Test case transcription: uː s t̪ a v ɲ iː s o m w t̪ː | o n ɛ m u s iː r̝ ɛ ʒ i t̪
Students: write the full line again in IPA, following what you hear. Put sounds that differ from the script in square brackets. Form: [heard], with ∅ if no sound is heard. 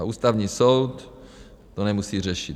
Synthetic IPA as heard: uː s t̪ a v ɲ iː s o [∅] w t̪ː | o n ɛ m u s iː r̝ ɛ [ʃ] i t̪